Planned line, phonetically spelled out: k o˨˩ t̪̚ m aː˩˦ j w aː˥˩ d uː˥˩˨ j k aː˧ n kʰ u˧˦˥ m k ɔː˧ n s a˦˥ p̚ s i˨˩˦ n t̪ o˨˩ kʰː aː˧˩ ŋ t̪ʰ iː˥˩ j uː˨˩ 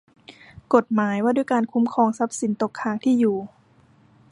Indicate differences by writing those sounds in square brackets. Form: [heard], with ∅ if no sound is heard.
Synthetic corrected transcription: k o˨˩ t̪̚ m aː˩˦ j w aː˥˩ d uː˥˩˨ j k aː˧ n kʰ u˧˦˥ m [kʰ] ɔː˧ [ŋ] s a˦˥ p̚ s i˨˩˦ n t̪ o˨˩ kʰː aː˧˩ ŋ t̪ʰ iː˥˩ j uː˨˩